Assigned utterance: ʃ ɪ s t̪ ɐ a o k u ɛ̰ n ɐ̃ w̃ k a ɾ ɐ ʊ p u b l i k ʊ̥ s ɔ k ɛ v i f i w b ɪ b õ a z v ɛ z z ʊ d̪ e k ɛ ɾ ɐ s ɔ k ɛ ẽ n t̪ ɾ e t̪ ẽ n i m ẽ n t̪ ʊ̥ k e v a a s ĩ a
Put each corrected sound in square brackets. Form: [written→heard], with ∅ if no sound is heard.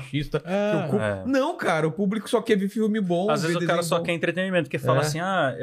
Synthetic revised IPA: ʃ [ɪ→i] s t̪ ɐ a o k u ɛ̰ n ɐ̃ w̃ k a ɾ ɐ ʊ p u b l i k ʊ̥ s ɔ k ɛ v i f i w [b→m] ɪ b õ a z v [ɛ→e] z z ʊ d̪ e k [ɛ→a] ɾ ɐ s ɔ k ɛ ẽ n t̪ ɾ e t̪ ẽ n i m ẽ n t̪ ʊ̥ k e [v→f] a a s ĩ a